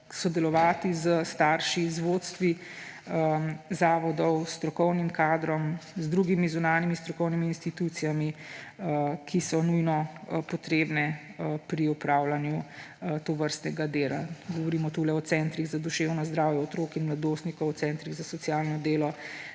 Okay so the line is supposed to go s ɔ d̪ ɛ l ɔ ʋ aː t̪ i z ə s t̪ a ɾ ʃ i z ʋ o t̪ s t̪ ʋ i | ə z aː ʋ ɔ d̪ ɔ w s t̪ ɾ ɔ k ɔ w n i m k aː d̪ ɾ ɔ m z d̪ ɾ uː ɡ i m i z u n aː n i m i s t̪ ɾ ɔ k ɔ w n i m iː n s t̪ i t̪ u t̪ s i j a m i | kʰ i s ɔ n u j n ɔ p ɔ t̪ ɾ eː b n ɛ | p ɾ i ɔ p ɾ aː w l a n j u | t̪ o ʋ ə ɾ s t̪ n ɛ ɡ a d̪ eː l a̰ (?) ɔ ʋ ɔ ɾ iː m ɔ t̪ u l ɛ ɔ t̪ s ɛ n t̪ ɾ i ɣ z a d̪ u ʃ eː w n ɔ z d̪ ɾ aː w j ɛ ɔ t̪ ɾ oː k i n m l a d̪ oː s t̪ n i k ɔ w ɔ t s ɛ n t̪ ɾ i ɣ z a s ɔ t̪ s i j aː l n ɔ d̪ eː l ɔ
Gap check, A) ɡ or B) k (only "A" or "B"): A